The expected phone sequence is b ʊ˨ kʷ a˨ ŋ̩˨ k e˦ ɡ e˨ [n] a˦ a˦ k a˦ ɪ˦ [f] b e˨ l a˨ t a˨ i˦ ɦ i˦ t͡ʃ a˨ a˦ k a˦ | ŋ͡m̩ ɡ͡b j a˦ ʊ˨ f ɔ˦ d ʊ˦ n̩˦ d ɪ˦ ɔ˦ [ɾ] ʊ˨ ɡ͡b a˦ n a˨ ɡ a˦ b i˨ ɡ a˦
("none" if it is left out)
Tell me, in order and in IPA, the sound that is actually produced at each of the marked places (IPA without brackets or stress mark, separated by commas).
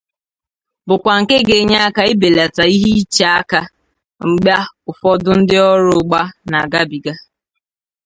ɲ, none, ɾ